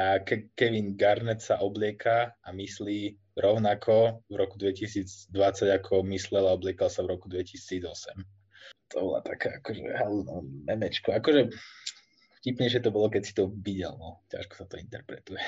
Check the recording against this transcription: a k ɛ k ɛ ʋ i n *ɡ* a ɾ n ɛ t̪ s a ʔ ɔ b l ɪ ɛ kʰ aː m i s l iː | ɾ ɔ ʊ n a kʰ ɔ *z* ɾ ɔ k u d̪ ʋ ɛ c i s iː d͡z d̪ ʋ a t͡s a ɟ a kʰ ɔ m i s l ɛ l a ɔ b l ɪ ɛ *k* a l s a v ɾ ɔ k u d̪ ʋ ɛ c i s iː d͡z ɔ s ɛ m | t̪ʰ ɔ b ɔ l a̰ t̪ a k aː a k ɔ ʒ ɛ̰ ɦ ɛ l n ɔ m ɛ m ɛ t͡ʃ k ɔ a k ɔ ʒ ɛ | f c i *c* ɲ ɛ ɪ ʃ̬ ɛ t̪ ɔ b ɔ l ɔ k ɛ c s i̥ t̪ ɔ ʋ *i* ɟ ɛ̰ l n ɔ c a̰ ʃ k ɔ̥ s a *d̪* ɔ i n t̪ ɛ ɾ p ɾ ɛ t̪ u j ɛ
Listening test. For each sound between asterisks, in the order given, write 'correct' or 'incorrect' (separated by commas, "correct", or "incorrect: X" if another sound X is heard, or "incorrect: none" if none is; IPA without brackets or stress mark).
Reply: correct, incorrect: v, correct, incorrect: p, correct, incorrect: t̪